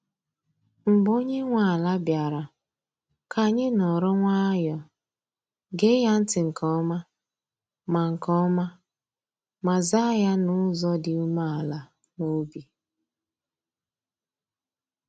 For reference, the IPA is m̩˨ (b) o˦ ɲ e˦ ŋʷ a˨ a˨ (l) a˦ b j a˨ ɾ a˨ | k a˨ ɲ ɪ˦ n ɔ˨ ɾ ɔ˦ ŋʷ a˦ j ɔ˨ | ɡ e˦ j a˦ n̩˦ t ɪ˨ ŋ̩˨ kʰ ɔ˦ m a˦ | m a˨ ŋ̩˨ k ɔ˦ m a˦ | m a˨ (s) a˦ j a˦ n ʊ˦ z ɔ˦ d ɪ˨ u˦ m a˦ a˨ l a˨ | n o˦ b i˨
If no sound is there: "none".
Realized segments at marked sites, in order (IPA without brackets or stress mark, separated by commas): b, l, z